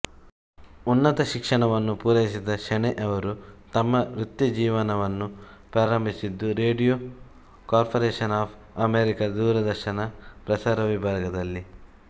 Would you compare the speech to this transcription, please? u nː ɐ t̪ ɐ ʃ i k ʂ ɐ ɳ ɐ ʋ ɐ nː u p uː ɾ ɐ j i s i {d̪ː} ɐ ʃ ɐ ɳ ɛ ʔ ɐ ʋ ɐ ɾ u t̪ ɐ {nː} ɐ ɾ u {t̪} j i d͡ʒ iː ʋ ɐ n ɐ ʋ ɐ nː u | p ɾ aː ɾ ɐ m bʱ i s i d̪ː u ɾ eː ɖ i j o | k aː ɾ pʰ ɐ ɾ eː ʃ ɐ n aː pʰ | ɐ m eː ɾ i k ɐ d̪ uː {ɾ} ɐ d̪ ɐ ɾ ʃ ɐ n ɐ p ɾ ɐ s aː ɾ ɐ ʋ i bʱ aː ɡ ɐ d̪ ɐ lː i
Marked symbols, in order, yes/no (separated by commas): no, no, yes, yes